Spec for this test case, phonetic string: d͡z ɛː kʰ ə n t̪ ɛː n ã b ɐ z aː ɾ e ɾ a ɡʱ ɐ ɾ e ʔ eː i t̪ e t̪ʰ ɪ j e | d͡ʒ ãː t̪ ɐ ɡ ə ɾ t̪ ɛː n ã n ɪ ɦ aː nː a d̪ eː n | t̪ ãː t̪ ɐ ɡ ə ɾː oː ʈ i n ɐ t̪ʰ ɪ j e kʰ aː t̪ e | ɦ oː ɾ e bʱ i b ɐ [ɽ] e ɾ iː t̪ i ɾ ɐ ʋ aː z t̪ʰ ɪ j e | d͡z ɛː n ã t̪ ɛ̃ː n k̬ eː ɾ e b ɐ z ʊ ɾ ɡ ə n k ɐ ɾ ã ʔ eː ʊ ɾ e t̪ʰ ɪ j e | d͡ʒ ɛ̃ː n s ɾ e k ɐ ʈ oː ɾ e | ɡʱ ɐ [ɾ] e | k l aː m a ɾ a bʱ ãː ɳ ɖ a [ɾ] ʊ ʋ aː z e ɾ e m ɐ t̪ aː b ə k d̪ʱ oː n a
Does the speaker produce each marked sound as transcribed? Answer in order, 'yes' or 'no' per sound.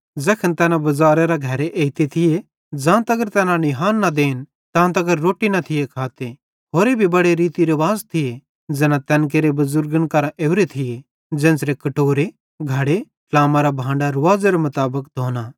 yes, no, yes

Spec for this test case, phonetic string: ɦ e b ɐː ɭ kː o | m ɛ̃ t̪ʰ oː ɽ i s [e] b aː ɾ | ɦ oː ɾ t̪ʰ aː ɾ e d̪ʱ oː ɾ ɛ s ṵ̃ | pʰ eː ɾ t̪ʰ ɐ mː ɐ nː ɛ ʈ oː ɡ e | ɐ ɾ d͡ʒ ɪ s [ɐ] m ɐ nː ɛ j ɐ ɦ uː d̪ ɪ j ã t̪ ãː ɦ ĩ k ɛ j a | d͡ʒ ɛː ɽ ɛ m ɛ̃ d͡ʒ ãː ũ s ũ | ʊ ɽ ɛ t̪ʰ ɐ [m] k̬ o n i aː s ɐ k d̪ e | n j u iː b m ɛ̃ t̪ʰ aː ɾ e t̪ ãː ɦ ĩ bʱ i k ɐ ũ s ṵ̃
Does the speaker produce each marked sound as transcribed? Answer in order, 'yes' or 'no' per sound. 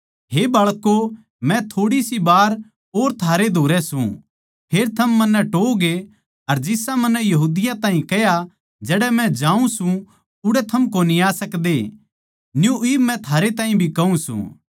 no, no, yes

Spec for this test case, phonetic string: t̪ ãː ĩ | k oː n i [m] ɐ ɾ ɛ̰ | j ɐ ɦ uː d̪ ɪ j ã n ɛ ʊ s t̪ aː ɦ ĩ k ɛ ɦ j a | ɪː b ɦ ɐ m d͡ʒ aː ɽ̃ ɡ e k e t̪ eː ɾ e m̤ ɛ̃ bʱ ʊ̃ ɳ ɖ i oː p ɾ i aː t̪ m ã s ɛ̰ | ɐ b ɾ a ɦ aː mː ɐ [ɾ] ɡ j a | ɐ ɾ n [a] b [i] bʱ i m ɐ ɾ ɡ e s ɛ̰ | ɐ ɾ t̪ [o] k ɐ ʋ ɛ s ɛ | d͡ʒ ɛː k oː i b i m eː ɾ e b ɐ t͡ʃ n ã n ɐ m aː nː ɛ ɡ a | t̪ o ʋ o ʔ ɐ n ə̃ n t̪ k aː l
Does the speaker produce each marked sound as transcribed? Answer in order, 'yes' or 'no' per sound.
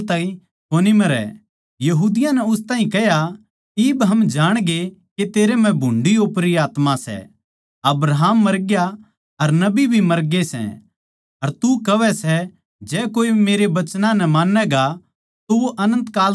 yes, yes, no, yes, no

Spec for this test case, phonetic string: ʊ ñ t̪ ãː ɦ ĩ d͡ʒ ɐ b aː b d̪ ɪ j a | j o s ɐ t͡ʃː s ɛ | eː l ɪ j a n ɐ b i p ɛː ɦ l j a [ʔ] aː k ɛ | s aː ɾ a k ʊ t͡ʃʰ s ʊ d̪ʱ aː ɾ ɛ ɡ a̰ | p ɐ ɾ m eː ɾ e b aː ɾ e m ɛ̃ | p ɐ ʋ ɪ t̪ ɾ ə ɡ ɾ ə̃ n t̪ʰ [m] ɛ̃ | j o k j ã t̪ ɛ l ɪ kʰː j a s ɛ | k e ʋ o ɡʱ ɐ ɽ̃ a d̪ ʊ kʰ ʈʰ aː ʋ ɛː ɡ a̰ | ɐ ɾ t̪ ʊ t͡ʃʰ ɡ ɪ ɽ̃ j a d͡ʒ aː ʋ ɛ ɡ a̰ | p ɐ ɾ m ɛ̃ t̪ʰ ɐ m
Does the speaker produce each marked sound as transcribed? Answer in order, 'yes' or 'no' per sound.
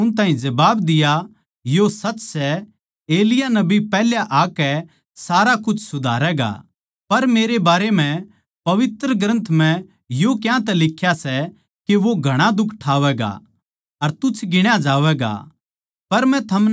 yes, yes

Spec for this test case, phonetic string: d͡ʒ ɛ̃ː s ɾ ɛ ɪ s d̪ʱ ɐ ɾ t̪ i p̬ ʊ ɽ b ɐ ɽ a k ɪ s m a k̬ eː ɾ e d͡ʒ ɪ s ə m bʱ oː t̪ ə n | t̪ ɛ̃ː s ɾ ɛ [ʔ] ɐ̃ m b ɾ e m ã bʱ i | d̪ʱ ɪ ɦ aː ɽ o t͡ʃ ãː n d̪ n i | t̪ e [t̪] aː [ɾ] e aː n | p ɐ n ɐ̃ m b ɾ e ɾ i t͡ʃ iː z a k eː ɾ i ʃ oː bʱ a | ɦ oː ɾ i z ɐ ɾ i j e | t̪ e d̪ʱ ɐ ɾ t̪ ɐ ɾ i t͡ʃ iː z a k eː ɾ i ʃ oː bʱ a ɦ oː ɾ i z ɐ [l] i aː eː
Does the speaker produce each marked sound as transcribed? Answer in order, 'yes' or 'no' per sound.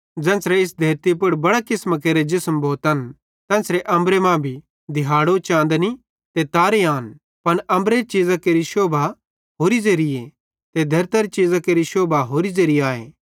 yes, yes, yes, no

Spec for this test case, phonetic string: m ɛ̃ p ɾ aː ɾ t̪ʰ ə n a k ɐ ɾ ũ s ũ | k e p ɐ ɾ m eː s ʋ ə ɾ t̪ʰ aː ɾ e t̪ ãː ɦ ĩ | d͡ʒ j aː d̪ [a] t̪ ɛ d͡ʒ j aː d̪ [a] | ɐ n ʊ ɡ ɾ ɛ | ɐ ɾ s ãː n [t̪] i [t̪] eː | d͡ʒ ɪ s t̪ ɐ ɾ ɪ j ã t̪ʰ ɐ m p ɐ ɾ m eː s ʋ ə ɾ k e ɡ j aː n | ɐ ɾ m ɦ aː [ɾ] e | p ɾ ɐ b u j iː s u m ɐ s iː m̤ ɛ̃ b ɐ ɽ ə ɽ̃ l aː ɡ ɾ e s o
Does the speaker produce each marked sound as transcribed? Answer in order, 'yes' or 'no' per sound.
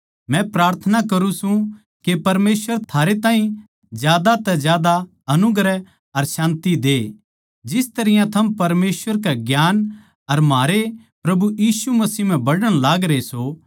yes, yes, yes, no, yes

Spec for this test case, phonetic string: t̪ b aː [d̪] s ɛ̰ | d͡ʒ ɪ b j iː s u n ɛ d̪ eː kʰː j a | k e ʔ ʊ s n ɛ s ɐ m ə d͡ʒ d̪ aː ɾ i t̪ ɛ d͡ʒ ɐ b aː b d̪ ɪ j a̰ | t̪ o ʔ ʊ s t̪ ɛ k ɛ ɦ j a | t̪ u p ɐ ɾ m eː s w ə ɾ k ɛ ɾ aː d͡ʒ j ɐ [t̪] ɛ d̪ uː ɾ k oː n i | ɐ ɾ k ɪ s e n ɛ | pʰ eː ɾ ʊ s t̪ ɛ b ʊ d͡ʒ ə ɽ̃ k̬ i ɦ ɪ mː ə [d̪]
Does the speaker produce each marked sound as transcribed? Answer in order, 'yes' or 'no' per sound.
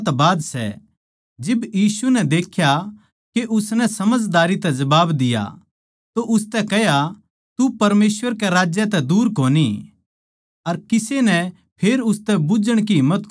yes, yes, no

